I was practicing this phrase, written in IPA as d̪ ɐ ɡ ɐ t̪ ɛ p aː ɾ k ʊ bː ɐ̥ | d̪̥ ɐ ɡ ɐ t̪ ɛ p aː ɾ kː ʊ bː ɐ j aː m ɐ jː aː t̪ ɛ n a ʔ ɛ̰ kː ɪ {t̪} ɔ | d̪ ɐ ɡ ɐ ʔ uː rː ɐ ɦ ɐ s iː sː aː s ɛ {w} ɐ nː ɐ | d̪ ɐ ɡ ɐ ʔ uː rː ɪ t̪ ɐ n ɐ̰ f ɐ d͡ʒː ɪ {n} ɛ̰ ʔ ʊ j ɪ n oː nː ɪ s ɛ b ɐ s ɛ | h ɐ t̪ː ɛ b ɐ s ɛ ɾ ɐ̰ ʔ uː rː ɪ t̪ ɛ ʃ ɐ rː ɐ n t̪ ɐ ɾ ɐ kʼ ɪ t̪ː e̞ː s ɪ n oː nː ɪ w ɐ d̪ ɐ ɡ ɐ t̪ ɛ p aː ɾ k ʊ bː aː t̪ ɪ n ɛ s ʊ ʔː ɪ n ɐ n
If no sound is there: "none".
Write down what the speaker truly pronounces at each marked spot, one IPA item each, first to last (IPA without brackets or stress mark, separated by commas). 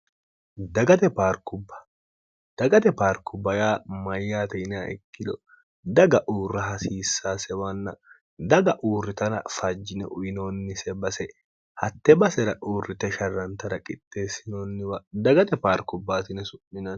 d̪, w, n